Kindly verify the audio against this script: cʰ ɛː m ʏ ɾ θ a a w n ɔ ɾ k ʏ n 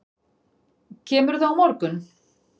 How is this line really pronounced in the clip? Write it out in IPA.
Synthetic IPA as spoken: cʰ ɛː m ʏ ɾ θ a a w m ɔ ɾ k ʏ n